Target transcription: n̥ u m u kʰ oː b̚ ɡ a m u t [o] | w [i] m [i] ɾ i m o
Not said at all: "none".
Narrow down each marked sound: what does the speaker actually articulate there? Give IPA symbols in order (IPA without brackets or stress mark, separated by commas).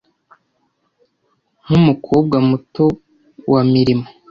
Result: o, a, i